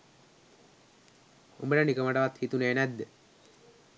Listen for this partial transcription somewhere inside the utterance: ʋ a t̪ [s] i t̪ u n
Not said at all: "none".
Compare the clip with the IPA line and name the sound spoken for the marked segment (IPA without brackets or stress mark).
h